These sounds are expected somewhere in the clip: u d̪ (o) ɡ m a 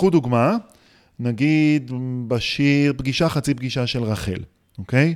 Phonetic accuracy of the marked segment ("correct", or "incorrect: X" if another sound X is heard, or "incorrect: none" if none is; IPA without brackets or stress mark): incorrect: u